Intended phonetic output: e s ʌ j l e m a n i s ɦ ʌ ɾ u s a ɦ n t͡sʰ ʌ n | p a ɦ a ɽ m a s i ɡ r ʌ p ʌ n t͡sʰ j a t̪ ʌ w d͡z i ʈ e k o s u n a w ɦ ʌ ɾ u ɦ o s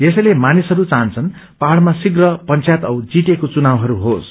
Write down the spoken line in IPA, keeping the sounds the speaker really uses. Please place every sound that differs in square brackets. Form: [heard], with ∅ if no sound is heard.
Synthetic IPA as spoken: e s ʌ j l e m a n i s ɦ ʌ ɾ u [t͡s] a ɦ n t͡sʰ ʌ n | p a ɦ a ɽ m a s i ɡ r ʌ p ʌ n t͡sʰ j a t̪ ʌ w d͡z i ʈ e k o [t͡s] u n a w ɦ ʌ ɾ u ɦ o s